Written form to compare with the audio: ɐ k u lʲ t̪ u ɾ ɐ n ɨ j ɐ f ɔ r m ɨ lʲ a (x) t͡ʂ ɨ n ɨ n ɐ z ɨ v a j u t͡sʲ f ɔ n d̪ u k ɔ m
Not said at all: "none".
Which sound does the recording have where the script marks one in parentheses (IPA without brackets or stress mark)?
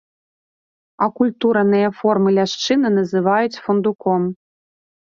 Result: ʂ